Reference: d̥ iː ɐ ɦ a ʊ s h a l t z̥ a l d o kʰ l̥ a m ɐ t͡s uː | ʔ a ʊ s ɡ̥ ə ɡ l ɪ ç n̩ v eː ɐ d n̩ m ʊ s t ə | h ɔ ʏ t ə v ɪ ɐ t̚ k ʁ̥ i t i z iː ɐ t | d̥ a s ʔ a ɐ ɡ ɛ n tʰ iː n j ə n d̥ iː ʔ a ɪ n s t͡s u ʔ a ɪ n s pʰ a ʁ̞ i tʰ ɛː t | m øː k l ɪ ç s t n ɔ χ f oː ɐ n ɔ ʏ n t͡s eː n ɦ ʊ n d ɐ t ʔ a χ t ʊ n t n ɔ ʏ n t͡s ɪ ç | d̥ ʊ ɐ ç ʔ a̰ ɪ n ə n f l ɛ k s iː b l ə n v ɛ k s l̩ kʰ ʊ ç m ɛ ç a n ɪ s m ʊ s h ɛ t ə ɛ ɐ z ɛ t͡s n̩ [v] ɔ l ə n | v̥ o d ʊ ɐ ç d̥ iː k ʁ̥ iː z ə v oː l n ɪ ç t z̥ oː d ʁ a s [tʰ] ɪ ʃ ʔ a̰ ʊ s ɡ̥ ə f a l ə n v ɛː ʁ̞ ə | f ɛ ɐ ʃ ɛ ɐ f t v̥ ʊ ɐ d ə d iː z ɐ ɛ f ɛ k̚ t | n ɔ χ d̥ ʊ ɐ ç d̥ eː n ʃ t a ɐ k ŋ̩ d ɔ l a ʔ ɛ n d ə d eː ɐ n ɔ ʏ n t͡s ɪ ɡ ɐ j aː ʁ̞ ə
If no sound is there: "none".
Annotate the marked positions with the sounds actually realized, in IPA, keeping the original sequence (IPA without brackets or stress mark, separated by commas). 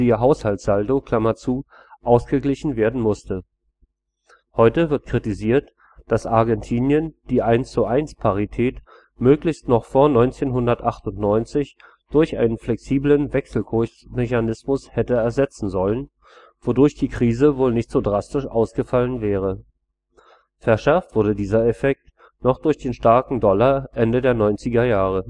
z, t